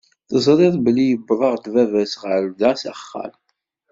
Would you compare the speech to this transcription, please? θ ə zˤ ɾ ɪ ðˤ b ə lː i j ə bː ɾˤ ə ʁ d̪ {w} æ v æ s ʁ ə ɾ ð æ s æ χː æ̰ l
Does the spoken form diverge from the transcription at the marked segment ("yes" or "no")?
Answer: yes